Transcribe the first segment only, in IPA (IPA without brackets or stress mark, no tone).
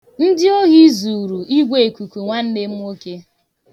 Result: n̩